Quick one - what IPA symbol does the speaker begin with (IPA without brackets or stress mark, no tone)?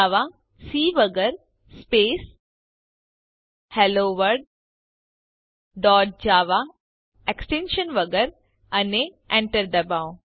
ʋ